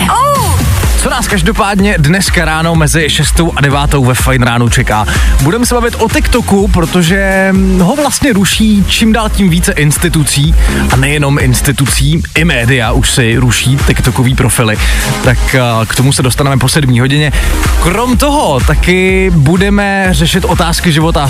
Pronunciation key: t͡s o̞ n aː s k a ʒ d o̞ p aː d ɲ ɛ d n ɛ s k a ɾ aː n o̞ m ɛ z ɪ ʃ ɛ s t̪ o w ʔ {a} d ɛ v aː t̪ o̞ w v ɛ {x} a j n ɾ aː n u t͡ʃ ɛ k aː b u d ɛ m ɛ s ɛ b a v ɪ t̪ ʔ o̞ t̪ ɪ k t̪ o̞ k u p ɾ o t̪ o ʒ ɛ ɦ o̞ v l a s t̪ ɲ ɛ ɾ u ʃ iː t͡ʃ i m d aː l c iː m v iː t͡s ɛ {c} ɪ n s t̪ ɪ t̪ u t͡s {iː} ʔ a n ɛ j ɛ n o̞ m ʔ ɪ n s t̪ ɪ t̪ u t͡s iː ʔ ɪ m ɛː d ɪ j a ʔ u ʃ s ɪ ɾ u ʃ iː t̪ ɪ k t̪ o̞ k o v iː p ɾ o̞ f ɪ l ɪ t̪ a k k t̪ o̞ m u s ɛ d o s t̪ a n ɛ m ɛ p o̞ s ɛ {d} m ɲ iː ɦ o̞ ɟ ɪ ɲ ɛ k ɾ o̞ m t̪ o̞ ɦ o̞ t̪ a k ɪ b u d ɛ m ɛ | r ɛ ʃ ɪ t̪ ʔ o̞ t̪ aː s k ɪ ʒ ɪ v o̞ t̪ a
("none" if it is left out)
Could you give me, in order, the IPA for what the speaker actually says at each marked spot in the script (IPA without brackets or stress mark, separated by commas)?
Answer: a, f, ʔ, iː, d